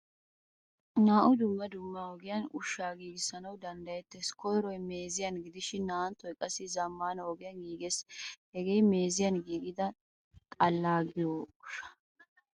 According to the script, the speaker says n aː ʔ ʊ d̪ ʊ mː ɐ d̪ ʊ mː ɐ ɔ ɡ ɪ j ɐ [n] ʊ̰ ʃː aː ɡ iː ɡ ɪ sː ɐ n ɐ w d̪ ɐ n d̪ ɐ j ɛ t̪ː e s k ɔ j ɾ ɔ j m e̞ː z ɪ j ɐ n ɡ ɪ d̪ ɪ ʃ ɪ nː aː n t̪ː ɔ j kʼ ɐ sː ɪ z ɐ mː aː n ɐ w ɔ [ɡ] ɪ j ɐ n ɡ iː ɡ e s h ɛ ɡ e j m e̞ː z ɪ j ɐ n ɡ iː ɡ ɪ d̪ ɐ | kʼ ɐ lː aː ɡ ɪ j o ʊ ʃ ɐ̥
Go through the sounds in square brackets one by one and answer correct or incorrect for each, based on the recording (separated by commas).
correct, correct